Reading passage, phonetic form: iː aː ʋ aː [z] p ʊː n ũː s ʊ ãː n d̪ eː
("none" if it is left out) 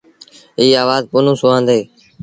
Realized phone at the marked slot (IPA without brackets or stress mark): z